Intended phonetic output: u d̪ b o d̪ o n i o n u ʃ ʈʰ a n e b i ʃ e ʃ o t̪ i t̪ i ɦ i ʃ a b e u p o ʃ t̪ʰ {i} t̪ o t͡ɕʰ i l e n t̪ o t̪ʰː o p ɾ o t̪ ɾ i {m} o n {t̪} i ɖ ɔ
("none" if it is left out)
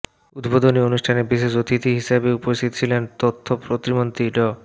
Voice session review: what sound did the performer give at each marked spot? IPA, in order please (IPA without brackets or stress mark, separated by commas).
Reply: i, m, t̪